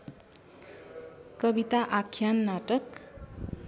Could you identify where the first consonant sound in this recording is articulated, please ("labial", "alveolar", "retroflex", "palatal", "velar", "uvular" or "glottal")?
velar